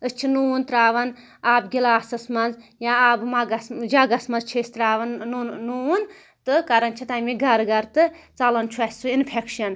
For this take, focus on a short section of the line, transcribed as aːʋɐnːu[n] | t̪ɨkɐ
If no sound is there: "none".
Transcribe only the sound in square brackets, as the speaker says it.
n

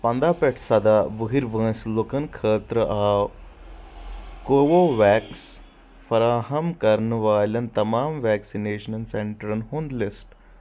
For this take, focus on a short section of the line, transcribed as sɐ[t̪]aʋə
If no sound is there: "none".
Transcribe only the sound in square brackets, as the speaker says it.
d̪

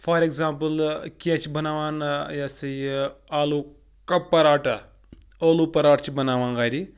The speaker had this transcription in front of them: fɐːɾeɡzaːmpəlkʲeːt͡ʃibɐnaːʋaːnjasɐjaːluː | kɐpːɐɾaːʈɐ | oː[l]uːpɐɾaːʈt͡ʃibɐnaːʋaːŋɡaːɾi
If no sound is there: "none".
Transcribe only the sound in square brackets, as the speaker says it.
l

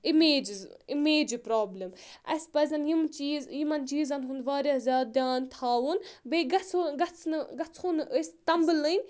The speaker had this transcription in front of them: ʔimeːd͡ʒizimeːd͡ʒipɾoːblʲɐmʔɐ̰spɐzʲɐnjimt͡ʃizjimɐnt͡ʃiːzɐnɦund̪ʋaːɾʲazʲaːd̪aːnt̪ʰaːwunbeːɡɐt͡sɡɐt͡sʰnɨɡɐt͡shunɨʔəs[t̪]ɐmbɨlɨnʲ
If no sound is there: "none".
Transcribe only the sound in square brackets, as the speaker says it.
t̪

